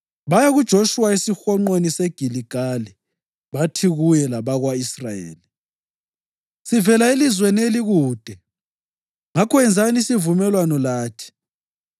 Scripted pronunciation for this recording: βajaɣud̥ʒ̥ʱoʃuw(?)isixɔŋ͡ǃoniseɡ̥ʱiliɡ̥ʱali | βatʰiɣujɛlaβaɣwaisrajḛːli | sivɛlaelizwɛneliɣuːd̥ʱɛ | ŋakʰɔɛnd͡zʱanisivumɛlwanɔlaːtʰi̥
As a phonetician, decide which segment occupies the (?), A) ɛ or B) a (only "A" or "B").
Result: B